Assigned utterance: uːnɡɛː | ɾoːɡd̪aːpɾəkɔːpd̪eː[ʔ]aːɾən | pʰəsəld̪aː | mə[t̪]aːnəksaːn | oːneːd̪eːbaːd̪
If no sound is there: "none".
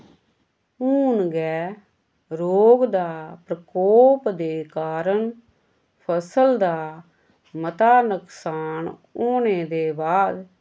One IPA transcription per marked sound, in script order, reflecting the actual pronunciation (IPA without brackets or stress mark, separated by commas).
k, t̪